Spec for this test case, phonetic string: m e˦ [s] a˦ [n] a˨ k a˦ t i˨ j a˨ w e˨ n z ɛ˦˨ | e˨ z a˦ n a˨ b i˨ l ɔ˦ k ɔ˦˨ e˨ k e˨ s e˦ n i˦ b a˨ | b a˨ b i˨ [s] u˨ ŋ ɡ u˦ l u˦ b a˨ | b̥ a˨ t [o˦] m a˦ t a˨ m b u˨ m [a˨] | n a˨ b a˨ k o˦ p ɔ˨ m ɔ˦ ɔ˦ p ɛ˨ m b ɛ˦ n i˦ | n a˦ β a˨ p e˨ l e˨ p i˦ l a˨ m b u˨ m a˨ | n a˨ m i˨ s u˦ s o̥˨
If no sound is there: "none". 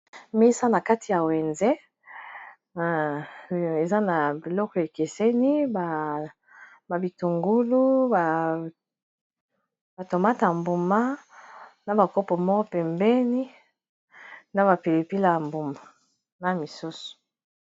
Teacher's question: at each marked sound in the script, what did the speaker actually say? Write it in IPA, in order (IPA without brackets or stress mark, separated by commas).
s, n, t, o˨, a˦